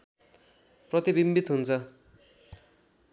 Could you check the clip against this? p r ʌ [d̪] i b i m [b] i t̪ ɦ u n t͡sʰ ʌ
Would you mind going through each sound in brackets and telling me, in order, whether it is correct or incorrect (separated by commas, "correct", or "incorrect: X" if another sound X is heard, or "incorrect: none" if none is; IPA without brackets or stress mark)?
incorrect: t̪, correct